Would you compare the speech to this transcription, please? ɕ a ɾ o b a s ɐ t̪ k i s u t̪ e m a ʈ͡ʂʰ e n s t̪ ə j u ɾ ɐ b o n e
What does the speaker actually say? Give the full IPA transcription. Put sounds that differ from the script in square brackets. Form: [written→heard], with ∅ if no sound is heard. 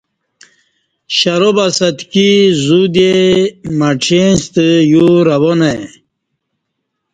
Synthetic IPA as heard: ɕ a ɾ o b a s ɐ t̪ k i [s→z] u [t̪→d̪] e m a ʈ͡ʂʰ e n s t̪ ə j u ɾ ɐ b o n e